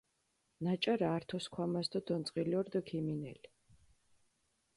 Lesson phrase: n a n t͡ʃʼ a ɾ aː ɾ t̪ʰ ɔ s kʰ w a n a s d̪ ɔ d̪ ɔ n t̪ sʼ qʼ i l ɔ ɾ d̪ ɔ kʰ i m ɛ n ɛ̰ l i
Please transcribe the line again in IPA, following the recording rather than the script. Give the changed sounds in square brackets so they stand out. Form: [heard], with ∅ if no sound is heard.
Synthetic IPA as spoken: n a [∅] t͡ʃʼ a ɾ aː ɾ t̪ʰ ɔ s kʰ w a [m] a s d̪ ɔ d̪ ɔ n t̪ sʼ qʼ i l ɔ ɾ d̪ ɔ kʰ i m [i] n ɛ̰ l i